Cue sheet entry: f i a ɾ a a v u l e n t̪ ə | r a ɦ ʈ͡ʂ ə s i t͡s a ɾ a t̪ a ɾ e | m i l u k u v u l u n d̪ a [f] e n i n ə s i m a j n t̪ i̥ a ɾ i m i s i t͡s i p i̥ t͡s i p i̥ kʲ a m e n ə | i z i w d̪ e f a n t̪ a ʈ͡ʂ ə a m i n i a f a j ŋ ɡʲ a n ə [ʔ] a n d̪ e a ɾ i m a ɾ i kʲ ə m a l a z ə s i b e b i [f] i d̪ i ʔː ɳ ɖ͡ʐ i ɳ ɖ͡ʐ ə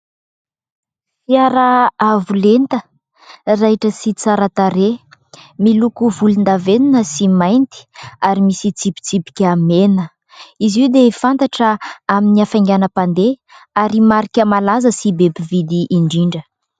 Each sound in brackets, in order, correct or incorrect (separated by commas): incorrect, incorrect, incorrect